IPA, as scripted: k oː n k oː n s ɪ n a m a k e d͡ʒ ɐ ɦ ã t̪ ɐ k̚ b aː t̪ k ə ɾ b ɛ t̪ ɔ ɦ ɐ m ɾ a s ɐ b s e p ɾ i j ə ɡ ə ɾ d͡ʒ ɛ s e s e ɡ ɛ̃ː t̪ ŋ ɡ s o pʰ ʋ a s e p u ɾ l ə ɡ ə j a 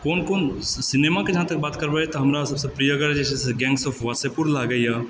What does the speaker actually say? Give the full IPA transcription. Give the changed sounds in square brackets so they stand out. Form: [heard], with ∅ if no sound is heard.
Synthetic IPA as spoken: k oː n k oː n s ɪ n [e] m a k e d͡ʒ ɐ ɦ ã t̪ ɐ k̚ b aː t̪ k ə ɾ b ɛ t̪ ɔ ɦ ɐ m ɾ a s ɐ b s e p ɾ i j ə ɡ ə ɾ d͡ʒ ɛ s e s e ɡ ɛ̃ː [∅] ŋ ɡ s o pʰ ʋ a s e p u ɾ l [a] ɡ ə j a